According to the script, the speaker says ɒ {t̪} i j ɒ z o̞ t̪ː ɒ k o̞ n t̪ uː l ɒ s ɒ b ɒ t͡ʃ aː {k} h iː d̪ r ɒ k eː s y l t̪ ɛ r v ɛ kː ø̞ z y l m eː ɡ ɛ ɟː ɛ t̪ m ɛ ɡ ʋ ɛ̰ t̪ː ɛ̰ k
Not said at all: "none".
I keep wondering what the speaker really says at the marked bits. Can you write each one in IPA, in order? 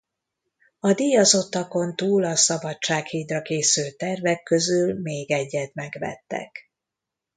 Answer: d̪, k

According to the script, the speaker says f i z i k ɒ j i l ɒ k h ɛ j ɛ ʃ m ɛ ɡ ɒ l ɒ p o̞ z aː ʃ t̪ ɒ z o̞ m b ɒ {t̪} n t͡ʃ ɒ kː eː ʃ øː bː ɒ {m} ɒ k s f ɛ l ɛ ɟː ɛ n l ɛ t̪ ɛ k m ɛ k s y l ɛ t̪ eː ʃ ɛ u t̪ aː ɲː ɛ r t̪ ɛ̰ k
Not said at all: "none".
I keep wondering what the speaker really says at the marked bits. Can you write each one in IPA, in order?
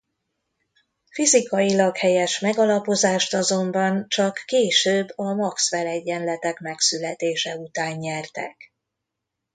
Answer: none, m

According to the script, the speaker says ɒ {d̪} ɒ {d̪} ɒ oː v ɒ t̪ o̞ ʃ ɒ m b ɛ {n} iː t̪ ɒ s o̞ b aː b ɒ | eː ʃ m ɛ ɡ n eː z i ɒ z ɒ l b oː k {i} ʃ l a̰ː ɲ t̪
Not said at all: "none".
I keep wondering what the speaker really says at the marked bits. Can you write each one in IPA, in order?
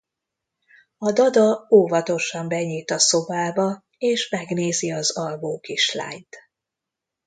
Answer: d̪, d̪, ɲ, i

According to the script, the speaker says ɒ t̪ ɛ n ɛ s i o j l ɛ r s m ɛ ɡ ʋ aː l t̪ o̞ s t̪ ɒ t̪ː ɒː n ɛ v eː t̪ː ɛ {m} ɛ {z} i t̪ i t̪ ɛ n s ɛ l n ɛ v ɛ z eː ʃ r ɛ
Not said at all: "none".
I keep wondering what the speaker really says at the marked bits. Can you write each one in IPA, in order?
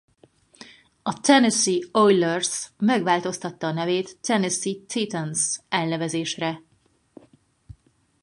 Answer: n, s

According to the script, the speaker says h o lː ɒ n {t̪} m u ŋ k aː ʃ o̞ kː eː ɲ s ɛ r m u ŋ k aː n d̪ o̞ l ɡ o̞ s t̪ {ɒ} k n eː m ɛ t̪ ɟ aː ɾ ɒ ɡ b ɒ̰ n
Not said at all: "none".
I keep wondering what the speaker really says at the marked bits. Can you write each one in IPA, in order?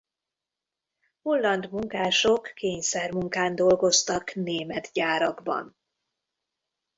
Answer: d̪, ɒ

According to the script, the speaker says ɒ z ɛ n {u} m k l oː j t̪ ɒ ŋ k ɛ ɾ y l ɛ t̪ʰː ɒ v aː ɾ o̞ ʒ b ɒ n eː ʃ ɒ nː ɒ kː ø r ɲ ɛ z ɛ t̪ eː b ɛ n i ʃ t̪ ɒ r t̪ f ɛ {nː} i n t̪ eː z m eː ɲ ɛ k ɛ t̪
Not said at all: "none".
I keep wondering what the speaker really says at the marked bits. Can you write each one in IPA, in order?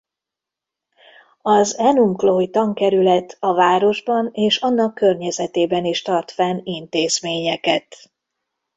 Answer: u, n

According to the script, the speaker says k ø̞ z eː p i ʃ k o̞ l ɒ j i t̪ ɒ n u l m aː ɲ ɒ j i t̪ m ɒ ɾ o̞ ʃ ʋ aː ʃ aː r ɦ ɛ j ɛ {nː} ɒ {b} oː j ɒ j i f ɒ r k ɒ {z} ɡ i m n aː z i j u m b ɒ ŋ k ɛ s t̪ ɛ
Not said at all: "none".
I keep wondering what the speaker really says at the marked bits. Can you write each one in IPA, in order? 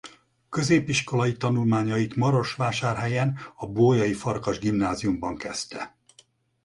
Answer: n, b, ʒ

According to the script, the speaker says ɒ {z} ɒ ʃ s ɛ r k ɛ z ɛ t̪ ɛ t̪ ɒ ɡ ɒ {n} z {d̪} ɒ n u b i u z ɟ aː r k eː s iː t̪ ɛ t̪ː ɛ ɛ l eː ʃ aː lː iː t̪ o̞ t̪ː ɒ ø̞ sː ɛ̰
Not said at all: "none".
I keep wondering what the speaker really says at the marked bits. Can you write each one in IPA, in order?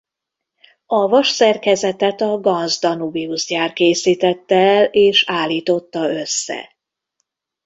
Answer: v, n, d̪

